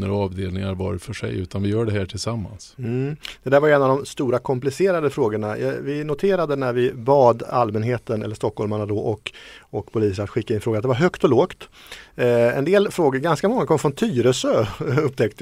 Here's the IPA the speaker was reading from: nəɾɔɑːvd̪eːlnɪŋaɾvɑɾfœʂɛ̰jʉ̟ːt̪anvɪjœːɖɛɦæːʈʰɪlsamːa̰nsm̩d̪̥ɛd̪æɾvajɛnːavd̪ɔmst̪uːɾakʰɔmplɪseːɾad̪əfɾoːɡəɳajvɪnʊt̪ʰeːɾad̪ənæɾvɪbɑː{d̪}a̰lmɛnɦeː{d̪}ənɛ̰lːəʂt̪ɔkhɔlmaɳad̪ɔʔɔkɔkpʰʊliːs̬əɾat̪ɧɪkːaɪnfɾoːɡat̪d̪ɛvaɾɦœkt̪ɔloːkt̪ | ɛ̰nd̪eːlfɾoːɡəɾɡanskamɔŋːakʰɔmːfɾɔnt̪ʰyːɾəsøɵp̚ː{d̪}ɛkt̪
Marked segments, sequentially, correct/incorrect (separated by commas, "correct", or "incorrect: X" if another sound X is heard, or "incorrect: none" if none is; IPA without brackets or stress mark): correct, incorrect: t̪, incorrect: t̪